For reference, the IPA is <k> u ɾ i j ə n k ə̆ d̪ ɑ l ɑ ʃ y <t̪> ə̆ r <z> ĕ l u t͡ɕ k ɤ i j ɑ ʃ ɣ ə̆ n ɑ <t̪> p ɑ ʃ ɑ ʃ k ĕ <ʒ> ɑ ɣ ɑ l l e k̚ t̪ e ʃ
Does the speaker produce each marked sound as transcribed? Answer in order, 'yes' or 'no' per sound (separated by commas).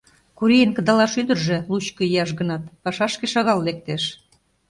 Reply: yes, no, no, yes, no